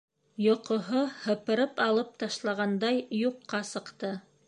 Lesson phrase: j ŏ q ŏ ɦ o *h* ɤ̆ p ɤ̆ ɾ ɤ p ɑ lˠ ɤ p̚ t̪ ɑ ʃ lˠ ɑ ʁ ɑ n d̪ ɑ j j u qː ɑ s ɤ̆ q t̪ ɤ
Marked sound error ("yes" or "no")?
no